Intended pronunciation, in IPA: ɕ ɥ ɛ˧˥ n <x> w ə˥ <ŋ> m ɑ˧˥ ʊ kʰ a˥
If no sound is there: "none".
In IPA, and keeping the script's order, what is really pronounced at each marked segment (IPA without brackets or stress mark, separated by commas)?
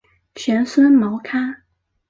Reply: s, n